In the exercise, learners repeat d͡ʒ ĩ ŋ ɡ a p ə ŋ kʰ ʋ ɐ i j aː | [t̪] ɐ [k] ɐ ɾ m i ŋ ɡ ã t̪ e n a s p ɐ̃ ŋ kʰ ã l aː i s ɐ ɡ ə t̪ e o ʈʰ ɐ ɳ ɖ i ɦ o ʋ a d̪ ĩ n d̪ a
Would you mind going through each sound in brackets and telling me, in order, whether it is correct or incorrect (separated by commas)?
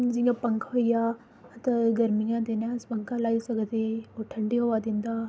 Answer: correct, incorrect